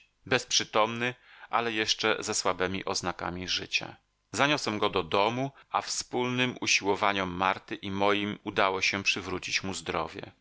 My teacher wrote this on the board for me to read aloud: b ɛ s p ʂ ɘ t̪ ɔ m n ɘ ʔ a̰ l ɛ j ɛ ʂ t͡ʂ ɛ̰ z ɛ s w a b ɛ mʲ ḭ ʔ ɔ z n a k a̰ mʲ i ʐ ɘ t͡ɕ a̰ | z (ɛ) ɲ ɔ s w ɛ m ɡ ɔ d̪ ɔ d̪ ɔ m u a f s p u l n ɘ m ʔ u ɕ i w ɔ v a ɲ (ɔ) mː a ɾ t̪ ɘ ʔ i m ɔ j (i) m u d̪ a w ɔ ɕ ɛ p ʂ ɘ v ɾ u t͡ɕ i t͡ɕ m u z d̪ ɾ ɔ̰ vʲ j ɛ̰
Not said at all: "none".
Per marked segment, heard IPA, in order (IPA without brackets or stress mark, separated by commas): a, ɔ, i